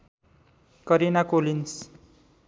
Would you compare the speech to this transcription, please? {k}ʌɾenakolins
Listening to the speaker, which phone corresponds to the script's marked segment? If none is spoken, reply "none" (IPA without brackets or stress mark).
k